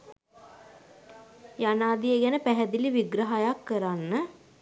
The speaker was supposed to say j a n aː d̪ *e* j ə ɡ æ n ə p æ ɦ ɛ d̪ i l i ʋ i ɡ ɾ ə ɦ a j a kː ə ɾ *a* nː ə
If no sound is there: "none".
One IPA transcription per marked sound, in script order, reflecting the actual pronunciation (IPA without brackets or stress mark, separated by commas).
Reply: i, a